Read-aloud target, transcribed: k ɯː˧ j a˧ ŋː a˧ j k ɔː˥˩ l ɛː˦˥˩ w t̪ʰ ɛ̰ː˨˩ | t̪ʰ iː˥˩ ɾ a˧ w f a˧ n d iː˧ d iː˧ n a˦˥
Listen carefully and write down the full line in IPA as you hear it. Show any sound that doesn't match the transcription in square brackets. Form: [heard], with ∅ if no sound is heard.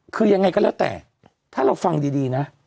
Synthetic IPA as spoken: [kʰ] ɯː˧ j a˧ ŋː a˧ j k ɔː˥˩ l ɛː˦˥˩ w [t̪] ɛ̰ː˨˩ | t̪ʰ [aː˥˩] ɾ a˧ w f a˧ [ŋ] d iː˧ d iː˧ n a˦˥